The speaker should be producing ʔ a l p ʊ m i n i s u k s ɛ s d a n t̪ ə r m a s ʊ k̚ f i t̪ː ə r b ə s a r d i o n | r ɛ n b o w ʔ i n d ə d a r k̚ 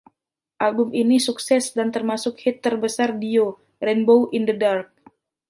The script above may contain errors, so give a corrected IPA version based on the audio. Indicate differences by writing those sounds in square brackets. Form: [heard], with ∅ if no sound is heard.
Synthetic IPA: ʔ a l [b] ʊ m i n i s u k s ɛ s d a n t̪ ə r m a s ʊ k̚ [h] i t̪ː ə r b ə s a r d i o [∅] | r ɛ n b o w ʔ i n d ə d a r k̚